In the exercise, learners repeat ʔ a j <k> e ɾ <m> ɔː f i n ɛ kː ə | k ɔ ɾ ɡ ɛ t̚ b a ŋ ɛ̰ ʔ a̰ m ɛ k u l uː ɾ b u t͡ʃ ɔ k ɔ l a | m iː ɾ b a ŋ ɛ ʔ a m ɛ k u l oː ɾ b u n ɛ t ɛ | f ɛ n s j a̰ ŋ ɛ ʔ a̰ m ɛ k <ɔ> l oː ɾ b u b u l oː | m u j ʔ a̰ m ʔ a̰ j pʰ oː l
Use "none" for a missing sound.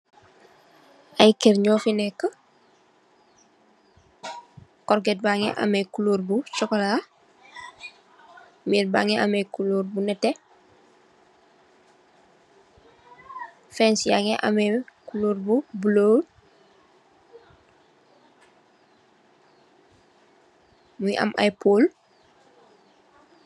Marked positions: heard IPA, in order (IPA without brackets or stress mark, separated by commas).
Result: k, ɲ, u